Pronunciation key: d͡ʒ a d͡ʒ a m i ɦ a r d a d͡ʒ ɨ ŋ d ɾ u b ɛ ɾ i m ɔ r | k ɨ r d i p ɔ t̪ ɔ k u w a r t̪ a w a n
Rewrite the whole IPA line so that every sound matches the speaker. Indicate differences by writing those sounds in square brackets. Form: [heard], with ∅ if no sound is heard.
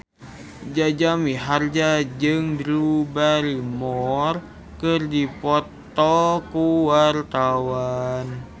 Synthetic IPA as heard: d͡ʒ a d͡ʒ a m i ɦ a r [d͡ʒ] a d͡ʒ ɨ ŋ d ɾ u b [a] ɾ i m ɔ r | k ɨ r d i p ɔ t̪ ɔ k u w a r t̪ a w a n